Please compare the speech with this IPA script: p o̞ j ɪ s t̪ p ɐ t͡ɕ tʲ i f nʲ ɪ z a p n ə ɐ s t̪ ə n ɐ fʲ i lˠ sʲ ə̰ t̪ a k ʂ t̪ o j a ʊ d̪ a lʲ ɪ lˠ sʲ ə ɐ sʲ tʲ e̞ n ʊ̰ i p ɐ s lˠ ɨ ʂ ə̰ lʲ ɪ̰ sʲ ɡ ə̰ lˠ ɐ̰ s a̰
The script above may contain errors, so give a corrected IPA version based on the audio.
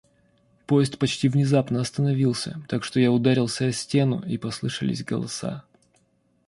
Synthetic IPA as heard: p o̞ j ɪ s t̪ p ɐ t͡ɕ tʲ i v nʲ ɪ z a p n ə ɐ s t̪ ə n ɐ vʲ i lˠ sʲ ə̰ t̪ a k ʂ t̪ o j a ʊ d̪ a ɾʲ ɪ lˠ sʲ ə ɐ sʲ tʲ e̞ n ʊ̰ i p ɐ s lˠ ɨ ʂ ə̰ lʲ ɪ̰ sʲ ɡ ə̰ lˠ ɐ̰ s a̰